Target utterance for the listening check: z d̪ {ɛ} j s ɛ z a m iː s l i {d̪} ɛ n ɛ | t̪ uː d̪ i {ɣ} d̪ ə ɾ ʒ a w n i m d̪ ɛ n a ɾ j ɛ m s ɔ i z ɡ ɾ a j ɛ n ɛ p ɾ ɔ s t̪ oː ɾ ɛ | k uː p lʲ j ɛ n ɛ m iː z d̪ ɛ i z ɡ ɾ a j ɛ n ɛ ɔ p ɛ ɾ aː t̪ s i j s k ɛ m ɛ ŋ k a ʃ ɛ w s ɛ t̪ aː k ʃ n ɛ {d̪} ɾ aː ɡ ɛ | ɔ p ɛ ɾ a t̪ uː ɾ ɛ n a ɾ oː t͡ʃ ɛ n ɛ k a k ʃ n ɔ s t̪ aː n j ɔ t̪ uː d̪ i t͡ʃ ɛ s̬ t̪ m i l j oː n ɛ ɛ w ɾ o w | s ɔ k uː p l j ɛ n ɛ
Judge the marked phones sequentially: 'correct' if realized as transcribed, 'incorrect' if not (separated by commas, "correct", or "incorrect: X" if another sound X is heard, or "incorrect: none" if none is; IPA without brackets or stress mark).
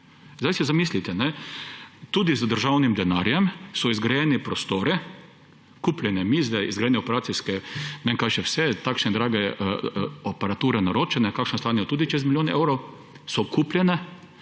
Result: incorrect: a, incorrect: t̪, incorrect: z, correct